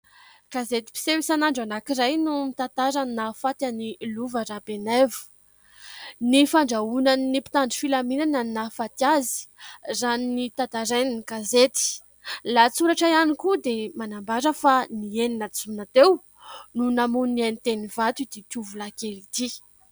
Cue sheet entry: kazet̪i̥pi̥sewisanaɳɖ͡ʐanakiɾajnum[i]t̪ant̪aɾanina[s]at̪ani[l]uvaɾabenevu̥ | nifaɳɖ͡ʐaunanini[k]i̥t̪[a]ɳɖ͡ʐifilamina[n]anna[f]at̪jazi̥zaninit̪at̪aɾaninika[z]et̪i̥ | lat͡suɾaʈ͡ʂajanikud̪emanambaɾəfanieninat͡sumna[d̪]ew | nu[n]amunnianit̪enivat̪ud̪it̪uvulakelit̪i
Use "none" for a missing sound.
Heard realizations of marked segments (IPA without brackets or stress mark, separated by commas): i, f, l, p, a, n, f, z, t̪, n